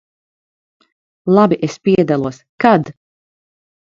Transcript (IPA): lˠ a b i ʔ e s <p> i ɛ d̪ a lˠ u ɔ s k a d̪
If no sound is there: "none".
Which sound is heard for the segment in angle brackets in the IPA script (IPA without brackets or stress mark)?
p